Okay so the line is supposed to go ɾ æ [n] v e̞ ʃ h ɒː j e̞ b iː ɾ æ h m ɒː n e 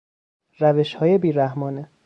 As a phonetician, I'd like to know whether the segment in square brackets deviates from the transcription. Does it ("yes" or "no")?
yes